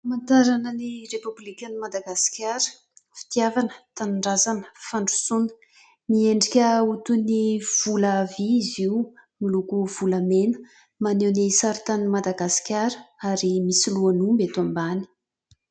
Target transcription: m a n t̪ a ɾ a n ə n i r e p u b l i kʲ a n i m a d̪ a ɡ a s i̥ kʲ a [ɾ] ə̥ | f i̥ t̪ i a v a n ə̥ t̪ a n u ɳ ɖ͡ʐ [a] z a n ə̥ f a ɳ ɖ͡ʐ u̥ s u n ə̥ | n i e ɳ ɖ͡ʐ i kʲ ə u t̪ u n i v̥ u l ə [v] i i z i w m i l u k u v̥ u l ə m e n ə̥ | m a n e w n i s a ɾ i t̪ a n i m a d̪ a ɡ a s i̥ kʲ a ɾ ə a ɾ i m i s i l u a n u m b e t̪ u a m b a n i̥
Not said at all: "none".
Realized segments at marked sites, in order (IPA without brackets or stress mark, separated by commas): ɾ, a, v